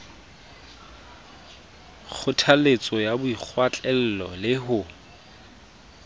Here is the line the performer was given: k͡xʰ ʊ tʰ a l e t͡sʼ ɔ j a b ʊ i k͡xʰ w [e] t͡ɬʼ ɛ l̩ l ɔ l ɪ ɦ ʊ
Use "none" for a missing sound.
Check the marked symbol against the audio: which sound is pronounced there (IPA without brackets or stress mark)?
a